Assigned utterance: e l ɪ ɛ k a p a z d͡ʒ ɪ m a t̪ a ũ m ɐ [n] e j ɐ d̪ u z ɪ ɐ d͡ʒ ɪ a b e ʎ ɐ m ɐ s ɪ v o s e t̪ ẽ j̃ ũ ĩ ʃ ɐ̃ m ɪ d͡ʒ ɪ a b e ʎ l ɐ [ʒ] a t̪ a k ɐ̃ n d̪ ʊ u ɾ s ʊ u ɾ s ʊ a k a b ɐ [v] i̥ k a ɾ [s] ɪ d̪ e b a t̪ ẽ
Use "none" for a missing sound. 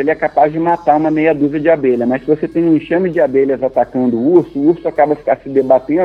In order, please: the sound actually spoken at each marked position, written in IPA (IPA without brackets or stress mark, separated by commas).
m, z, f, s